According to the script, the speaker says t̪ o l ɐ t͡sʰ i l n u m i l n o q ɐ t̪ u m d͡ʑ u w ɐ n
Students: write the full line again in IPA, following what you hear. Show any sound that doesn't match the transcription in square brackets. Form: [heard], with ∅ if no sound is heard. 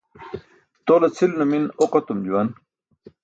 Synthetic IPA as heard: t̪ o l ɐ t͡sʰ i l n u m i [∅] n o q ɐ t̪ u m d͡ʑ u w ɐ n